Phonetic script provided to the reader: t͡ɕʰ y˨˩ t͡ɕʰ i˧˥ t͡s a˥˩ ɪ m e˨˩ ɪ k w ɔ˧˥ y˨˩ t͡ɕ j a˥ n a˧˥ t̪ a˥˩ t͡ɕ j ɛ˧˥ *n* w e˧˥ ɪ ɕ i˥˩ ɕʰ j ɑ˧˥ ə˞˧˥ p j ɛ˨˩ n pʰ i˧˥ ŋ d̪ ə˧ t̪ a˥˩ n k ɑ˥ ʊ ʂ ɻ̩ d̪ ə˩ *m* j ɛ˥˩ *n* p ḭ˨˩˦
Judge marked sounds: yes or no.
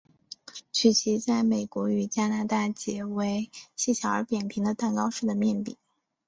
no, yes, yes

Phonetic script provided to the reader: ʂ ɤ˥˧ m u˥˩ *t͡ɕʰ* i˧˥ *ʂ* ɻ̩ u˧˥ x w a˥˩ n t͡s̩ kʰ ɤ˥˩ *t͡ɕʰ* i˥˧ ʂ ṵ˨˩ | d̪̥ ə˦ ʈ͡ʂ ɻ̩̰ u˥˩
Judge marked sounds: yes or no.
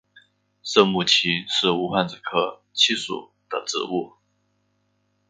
yes, yes, yes

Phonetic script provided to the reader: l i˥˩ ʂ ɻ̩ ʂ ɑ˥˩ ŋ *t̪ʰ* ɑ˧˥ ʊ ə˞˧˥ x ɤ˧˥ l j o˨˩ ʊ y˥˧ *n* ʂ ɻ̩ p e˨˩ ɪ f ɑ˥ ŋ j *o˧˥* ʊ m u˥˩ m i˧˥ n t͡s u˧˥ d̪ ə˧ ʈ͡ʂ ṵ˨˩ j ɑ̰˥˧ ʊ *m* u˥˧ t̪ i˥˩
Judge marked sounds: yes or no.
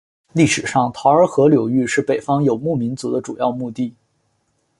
yes, no, no, yes

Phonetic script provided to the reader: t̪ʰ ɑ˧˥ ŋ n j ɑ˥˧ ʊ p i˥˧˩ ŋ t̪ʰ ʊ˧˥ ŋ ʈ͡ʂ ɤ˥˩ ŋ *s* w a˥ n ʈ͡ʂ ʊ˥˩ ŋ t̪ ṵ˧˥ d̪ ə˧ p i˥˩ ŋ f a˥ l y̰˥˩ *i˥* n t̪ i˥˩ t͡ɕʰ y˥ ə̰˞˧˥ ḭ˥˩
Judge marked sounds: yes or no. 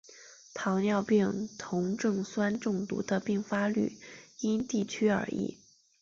yes, yes

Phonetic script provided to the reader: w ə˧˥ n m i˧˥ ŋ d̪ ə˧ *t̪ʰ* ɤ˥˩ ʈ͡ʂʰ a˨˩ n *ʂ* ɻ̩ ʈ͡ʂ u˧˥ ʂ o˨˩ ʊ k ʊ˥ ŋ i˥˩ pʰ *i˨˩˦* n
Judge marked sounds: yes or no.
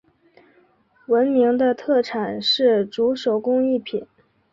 yes, yes, yes

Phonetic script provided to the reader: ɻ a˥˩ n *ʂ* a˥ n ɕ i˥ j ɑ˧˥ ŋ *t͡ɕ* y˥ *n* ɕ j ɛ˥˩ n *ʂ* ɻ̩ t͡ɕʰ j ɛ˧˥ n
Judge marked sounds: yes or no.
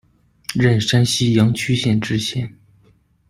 yes, no, no, no

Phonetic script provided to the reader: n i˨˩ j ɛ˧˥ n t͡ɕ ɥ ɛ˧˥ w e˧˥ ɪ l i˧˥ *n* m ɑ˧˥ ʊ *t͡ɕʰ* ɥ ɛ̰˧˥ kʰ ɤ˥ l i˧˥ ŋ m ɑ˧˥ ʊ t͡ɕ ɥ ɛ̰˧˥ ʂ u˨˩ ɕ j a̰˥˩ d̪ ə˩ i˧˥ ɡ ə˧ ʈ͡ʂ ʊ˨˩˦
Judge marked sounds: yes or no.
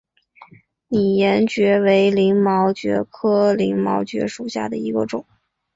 no, no

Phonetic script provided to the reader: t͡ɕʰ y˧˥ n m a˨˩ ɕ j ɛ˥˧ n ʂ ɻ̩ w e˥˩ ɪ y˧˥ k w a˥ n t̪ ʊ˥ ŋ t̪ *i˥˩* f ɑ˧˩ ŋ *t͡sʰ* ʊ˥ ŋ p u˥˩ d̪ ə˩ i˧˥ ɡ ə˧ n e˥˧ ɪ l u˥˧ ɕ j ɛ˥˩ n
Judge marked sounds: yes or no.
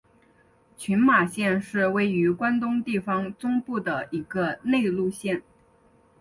yes, no

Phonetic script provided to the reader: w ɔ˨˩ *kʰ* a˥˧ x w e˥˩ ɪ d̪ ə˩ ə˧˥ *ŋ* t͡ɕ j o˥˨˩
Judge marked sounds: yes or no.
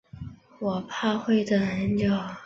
no, no

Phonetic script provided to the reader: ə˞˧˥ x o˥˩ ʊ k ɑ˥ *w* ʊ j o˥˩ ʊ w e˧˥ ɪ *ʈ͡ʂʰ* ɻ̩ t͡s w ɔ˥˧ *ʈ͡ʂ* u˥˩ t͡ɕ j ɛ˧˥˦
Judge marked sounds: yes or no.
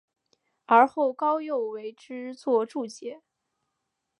no, no, yes

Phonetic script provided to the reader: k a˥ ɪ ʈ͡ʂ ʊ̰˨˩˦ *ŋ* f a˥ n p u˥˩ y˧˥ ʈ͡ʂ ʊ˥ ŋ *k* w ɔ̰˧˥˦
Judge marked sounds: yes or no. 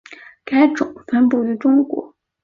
yes, yes

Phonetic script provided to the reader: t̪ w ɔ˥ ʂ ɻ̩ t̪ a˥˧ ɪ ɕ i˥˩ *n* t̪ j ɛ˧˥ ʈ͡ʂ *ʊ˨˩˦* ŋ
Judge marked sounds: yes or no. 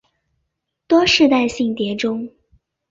no, no

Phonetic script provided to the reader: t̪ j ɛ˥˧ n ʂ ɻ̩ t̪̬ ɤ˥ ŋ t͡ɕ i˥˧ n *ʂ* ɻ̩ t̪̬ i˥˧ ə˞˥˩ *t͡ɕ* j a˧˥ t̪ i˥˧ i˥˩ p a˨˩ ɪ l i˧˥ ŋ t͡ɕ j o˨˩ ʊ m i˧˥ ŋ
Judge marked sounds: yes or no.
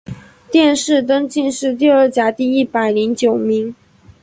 yes, yes

